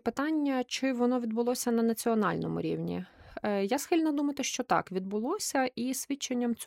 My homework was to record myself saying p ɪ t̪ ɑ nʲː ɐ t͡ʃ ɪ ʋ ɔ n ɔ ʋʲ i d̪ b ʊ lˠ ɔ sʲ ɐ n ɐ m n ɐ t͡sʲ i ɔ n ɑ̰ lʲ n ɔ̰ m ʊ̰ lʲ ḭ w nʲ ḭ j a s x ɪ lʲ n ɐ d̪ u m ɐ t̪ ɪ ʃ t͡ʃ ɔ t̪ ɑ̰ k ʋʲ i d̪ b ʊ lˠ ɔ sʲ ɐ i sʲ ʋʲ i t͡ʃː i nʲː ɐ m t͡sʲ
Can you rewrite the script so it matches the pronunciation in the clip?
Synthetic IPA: p ɪ t̪ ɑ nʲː ɐ t͡ʃ ɪ ʋ ɔ n ɔ ʋʲ i d̪ b ʊ lˠ ɔ sʲ ɐ n ɐ n ɐ t͡sʲ i ɔ n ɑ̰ lʲ n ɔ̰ m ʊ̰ ɾʲ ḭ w nʲ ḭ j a s x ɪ lʲ n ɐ d̪ u m ɐ t̪ ɪ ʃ t͡ʃ ɔ t̪ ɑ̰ k ʋʲ i d̪ b ʊ lˠ ɔ sʲ ɐ i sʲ ʋʲ i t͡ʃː e nʲː ɐ m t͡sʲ